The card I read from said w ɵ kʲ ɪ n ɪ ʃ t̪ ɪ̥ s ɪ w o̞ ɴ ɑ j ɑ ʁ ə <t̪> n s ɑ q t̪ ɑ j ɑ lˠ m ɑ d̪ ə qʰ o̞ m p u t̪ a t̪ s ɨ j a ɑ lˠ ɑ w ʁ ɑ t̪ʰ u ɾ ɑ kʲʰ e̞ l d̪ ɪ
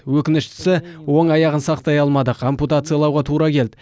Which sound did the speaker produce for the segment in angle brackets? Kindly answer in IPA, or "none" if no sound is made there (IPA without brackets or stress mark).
none